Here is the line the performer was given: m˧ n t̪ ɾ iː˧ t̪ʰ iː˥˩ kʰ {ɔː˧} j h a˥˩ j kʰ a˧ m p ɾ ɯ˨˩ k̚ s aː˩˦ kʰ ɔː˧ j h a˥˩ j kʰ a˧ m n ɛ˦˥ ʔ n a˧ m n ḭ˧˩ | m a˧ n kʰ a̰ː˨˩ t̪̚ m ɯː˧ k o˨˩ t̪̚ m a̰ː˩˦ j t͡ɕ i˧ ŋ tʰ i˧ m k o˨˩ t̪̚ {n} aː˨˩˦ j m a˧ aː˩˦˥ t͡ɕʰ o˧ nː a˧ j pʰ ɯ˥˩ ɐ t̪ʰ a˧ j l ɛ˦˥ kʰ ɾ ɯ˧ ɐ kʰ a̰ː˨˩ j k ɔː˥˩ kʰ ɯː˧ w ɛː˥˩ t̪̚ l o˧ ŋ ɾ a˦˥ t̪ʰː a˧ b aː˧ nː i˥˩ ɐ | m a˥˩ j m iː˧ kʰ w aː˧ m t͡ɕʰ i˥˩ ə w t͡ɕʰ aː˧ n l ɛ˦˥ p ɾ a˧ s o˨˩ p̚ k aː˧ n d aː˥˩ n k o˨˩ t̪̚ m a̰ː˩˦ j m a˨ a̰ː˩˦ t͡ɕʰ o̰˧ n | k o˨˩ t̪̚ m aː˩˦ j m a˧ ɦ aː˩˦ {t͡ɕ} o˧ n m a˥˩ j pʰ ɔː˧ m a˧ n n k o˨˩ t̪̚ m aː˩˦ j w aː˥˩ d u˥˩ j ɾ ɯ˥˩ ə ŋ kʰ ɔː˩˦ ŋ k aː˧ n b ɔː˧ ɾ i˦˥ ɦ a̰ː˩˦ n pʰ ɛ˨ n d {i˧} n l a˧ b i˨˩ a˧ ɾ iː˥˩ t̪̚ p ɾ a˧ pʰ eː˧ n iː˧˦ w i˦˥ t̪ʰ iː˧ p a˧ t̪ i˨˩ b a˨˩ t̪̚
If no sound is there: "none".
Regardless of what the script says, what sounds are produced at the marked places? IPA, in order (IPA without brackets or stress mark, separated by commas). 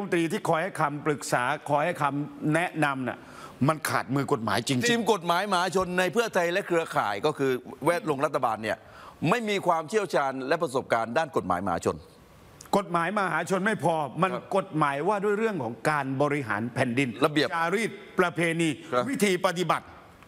ɔː˧, m, t͡ɕʰ, i˧